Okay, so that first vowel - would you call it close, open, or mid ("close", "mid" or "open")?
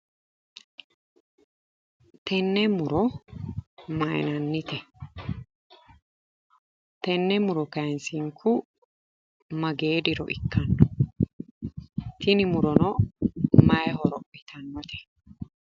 mid